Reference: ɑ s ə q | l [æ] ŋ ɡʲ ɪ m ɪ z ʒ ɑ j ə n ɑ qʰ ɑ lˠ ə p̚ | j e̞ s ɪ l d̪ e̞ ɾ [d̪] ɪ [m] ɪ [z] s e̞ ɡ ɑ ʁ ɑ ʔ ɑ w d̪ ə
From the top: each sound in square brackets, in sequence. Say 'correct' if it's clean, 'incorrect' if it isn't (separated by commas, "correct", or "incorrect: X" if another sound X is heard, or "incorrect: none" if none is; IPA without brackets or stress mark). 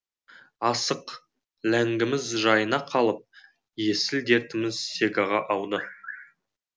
correct, incorrect: t̪, correct, correct